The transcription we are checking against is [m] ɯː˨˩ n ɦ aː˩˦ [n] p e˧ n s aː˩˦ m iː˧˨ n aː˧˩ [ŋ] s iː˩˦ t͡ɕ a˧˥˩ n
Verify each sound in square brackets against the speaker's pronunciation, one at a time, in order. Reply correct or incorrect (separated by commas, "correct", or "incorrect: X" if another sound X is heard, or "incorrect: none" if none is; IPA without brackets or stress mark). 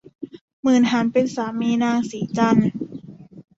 correct, correct, correct